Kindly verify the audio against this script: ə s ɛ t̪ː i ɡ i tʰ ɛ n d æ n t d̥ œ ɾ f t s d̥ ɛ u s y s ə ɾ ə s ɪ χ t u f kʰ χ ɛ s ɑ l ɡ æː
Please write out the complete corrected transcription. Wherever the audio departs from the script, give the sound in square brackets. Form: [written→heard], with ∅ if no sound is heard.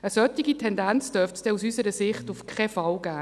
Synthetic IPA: ə s [ɛ→œ] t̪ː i ɡ i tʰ ɛ n d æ n [t→t͡s] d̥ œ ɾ f t s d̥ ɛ u s y s ə ɾ ə s ɪ χ t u f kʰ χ ɛ [s→f] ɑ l ɡ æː